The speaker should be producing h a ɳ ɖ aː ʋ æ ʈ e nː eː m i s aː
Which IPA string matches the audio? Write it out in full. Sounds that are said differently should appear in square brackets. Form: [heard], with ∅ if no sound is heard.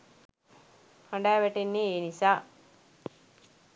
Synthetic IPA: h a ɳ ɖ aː ʋ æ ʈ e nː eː [n] i s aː